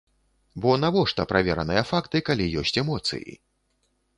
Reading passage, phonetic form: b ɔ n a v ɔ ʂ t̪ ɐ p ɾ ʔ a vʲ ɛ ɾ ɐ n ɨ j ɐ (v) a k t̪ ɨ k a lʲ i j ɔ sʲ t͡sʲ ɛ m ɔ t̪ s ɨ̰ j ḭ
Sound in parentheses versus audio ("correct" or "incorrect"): incorrect